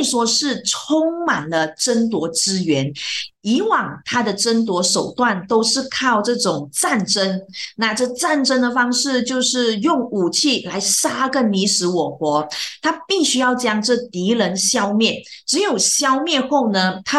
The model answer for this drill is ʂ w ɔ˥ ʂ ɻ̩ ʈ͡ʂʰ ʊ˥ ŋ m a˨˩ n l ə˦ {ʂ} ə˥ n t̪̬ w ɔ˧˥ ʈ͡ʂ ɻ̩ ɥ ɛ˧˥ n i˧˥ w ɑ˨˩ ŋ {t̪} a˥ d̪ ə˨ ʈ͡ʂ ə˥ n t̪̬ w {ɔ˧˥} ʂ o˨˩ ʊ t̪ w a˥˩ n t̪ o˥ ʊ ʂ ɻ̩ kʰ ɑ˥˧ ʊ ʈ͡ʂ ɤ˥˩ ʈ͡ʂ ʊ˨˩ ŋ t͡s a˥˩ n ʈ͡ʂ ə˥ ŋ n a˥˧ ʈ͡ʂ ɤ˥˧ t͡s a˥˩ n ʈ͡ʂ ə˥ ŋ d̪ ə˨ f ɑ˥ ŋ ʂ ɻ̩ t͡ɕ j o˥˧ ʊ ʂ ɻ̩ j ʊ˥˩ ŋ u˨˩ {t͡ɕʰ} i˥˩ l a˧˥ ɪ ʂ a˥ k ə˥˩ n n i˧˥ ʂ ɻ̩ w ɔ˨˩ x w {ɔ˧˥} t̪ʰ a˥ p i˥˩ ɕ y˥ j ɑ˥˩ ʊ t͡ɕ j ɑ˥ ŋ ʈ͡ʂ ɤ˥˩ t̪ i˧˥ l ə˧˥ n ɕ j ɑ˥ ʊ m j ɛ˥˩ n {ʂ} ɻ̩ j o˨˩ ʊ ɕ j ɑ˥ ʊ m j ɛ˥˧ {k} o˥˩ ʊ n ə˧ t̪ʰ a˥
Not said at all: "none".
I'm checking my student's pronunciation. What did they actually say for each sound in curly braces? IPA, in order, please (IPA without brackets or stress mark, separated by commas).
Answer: ʈ͡ʂ, t̪ʰ, ɔ˧˥, t͡ɕʰ, ɔ˧˥, ʈ͡ʂ, x